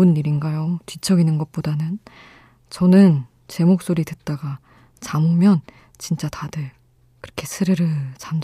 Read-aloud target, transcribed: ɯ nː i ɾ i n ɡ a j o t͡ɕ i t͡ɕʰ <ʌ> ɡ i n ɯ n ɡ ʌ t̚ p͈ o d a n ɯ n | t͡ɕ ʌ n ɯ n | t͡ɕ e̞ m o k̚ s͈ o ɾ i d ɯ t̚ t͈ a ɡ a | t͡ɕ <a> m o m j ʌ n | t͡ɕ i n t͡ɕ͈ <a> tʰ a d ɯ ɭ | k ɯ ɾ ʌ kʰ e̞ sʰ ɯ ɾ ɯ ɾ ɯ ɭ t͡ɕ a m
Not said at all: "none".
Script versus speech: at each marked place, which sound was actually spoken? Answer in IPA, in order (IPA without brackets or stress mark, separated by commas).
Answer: ʌ, a, a